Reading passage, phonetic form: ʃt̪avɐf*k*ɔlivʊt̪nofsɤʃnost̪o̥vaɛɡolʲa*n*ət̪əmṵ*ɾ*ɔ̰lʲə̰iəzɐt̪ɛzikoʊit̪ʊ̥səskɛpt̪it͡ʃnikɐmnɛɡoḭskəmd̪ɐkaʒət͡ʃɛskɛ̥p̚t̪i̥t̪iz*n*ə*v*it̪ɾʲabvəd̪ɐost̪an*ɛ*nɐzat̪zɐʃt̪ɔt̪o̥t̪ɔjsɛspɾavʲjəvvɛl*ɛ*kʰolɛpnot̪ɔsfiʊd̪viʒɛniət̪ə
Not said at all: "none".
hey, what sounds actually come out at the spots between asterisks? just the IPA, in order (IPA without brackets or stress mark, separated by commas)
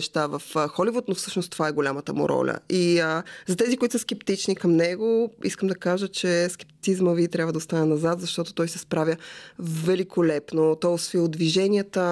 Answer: x, m, ɾ, m, v, ɛ, i